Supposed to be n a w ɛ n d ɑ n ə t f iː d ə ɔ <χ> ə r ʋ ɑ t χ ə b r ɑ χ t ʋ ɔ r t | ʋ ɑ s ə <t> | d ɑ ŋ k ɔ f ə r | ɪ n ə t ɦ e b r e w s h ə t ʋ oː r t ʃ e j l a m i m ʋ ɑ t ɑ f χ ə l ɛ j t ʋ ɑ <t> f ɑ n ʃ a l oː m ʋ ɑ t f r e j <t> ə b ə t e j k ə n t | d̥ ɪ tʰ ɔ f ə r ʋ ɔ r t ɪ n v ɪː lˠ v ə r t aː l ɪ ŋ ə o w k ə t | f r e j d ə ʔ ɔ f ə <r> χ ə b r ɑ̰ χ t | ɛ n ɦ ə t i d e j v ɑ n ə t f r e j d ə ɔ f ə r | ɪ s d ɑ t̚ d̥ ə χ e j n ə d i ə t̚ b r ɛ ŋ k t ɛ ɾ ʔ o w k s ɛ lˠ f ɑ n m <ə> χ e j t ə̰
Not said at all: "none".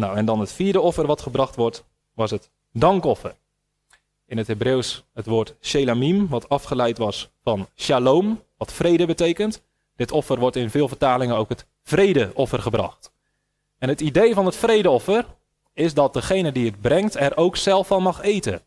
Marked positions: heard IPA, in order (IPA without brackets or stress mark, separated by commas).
f, t, s, d, r, ɑ